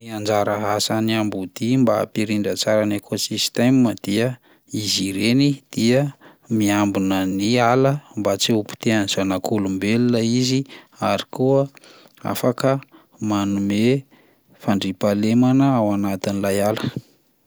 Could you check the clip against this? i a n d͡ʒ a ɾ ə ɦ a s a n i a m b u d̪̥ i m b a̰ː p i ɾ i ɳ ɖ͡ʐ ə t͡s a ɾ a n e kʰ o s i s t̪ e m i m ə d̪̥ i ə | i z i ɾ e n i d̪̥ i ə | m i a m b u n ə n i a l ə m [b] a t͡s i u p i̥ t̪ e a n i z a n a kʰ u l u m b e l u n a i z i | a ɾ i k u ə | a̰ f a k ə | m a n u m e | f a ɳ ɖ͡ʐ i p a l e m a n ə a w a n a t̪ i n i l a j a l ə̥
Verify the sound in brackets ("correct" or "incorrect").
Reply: correct